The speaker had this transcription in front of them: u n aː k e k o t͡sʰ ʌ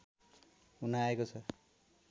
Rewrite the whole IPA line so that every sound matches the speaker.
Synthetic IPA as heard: u n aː e k o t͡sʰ ʌ